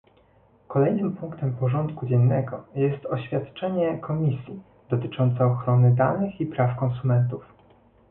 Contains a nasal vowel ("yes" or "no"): no